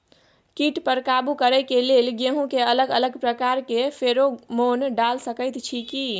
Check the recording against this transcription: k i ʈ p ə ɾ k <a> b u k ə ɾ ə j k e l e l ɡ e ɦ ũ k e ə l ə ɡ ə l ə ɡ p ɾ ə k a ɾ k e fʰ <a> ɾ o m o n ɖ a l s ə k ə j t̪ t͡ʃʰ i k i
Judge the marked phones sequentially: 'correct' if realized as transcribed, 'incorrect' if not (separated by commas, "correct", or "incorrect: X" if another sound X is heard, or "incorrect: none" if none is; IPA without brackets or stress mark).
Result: correct, incorrect: e